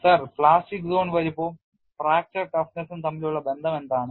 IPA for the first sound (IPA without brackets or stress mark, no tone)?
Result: s